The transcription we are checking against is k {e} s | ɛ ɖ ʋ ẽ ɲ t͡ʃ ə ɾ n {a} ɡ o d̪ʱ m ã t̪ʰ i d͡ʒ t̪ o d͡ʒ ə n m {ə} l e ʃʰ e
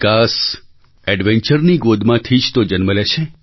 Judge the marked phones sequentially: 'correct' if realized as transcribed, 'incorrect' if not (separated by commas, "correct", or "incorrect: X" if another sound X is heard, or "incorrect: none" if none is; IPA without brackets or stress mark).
incorrect: a, incorrect: i, correct